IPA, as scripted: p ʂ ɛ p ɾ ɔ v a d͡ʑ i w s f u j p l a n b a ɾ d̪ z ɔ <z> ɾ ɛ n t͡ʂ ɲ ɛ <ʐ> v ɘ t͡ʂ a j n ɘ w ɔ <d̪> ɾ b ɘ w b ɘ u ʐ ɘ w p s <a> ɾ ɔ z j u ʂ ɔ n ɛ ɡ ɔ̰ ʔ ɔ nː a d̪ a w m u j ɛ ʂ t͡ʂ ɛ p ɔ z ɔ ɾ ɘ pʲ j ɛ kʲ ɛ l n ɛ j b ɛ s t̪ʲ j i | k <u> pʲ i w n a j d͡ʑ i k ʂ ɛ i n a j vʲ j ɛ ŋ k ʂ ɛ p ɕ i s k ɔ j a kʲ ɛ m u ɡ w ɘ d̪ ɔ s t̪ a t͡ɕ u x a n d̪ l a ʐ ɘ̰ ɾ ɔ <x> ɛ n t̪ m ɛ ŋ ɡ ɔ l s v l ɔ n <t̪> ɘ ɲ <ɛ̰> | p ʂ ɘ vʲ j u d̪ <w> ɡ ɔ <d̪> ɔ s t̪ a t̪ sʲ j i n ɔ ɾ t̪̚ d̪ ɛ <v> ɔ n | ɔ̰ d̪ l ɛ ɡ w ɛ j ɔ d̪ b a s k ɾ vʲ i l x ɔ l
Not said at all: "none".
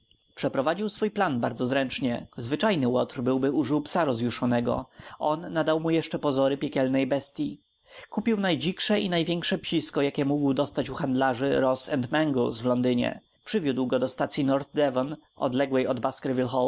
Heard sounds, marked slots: z, z, t̪, a, u, s, d̪, ɛ̰, w, d̪, v

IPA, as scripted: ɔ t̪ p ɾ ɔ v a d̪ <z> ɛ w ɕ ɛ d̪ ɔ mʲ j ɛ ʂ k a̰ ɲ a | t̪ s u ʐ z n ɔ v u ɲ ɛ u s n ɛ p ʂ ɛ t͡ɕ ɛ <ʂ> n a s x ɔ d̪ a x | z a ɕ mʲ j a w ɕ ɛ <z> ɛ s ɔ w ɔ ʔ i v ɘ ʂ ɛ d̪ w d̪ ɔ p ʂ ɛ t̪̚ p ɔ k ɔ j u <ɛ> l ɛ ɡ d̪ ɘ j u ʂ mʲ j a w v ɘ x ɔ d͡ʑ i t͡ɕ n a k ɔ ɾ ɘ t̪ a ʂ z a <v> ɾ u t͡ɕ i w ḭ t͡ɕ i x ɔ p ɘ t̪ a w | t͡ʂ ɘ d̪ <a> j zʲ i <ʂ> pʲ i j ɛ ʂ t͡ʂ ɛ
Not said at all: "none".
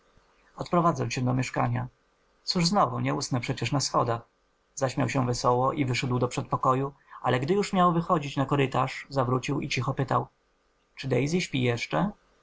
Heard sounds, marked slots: z, ʂ, v, a, v, ɛ, ɕ

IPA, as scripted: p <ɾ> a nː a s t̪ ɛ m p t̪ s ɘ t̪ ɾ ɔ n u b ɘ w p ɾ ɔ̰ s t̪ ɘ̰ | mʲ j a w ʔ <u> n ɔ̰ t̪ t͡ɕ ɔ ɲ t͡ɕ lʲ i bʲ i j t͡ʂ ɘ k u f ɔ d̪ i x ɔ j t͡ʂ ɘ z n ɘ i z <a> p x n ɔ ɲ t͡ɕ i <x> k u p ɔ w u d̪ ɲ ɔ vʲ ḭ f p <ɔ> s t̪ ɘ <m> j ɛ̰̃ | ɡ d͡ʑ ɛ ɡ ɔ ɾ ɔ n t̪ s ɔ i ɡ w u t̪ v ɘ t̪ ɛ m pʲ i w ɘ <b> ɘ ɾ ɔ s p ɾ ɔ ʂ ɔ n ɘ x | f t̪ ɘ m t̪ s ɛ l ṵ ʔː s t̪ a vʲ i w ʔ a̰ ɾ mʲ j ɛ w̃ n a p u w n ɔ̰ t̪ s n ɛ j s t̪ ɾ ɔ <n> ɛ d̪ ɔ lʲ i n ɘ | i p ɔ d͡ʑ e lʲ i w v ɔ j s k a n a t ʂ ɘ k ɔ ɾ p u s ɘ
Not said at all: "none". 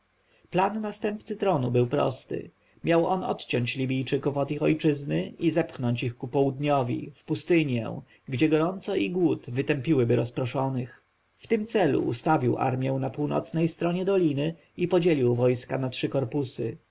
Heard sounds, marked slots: l, ɔ, ɛ, x, u, ɲ, b, ɲ

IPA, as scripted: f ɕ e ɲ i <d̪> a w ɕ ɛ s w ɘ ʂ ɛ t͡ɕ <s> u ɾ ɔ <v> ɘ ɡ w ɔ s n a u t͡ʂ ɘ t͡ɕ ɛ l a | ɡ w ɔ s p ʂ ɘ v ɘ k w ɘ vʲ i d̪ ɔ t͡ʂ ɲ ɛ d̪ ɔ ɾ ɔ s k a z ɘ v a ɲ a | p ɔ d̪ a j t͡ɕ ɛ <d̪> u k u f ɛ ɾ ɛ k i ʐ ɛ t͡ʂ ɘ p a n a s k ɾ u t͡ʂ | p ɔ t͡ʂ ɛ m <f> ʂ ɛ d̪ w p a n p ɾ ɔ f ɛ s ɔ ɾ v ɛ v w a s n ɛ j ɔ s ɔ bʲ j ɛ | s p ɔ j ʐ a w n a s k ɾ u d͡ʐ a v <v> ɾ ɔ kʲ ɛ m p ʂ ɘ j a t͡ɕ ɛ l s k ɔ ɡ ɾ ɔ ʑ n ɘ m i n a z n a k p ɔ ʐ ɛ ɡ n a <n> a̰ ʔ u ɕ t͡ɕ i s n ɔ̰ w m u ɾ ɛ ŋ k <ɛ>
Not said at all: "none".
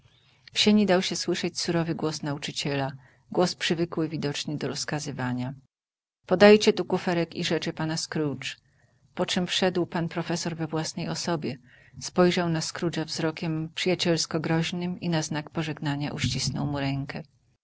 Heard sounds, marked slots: d̪, s, v, t̪, f, z, ɲ, ɛ

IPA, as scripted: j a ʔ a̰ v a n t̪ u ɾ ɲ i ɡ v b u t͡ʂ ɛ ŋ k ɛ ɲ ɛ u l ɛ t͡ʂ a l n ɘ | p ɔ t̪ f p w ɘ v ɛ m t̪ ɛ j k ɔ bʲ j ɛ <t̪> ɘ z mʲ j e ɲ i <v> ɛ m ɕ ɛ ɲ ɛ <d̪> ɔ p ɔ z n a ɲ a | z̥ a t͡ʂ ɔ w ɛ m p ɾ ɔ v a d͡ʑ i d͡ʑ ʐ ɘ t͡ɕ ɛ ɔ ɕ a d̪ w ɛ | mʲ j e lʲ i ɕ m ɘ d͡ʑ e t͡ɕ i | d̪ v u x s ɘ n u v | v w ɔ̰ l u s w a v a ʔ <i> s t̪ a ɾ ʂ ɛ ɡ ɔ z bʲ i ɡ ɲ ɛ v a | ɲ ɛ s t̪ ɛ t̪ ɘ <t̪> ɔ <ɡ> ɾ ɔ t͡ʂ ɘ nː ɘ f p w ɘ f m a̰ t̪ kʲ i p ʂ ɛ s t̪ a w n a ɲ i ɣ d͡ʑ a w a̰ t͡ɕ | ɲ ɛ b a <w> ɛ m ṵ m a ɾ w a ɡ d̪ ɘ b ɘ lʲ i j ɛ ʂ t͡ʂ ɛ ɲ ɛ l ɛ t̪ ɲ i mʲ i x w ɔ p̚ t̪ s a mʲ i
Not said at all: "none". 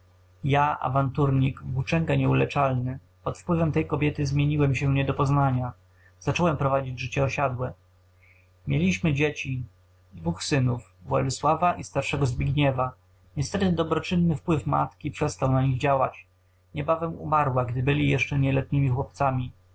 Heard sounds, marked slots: t̪, w, d̪, i, d̪, b, v

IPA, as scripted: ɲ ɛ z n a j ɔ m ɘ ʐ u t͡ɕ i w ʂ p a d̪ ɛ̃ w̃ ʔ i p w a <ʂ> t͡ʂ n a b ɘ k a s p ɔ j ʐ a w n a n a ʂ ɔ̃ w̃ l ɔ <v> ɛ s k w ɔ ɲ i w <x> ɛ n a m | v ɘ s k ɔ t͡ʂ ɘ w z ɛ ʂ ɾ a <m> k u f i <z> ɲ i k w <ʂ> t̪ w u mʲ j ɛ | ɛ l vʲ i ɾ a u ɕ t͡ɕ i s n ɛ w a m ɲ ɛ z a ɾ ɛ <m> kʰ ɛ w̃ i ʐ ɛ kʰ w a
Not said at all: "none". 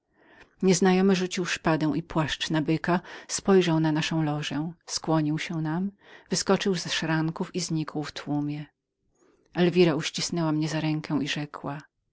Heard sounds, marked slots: ʂ, ʐ, ɕ, ŋ, z, f, ŋ

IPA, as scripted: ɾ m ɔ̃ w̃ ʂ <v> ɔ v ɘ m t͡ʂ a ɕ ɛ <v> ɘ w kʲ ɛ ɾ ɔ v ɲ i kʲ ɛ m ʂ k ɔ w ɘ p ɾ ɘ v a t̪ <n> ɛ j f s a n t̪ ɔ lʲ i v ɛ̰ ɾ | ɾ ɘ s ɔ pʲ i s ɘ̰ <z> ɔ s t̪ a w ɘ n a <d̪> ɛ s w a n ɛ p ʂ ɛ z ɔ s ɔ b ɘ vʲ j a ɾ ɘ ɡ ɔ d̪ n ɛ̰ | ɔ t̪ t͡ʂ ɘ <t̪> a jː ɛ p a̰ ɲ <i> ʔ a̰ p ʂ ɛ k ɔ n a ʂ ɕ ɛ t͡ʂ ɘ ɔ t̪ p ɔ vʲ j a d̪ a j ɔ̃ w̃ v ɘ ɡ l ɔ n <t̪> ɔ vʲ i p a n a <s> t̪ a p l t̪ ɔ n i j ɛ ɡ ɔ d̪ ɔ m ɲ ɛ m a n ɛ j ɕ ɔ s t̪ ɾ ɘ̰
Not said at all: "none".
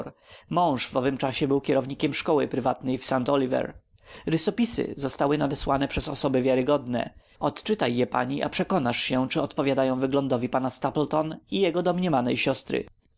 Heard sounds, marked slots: v, b, n, z, d̪, t̪, i, d̪, s

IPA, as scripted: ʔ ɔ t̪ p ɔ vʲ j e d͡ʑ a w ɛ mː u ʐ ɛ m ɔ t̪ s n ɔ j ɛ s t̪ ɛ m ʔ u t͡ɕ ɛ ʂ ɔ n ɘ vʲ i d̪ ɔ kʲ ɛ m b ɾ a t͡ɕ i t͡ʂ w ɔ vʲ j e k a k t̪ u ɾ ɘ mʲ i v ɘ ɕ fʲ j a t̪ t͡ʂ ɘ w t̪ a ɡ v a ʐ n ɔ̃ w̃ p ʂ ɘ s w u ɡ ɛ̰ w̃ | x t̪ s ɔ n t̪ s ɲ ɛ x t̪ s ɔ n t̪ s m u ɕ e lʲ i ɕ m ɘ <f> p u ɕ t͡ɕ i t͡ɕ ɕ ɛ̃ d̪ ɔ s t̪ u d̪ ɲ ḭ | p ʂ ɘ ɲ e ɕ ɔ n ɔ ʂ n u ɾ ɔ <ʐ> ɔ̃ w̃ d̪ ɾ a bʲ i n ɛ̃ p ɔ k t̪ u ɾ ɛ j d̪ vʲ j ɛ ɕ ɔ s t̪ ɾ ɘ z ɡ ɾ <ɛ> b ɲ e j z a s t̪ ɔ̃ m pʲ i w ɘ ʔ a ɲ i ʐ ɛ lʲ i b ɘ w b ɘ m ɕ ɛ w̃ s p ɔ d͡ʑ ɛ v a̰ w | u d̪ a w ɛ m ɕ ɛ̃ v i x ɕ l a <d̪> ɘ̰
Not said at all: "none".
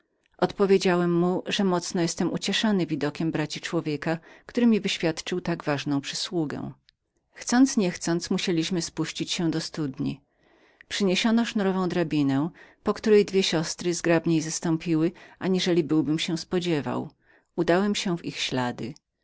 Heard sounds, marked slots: s, v, a, d̪

